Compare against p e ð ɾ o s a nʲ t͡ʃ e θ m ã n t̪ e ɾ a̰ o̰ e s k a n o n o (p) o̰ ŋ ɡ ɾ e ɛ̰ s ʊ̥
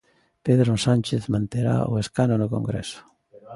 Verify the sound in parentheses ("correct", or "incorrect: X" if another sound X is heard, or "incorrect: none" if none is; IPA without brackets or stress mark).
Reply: incorrect: k